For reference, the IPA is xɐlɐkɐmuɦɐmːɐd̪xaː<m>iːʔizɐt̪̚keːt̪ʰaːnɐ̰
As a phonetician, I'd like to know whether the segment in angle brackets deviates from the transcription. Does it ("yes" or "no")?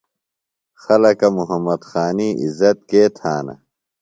yes